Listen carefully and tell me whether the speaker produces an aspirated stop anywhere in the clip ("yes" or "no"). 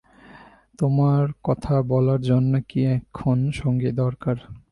yes